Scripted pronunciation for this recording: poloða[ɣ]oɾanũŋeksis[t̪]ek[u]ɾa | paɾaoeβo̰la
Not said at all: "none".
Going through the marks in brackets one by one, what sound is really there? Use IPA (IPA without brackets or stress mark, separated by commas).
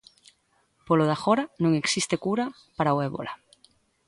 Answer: x, t̪, u